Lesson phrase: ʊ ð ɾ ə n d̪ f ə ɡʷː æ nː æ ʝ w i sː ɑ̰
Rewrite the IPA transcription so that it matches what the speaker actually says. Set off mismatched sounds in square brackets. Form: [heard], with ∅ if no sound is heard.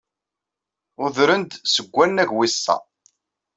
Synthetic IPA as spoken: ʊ ð ɾ ə n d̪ [s] ə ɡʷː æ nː æ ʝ w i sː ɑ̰